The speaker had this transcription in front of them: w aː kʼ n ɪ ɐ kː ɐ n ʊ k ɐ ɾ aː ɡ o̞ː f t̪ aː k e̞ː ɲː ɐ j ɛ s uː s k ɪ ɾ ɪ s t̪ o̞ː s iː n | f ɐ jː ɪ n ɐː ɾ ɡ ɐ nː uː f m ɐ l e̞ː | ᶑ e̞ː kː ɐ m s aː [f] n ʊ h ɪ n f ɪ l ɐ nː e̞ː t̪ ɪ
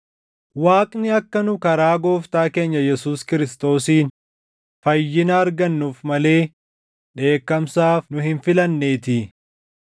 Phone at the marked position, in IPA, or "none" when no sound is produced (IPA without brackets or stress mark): f